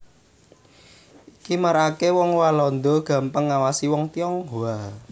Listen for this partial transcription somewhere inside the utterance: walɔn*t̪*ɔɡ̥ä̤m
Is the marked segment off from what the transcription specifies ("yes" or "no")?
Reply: yes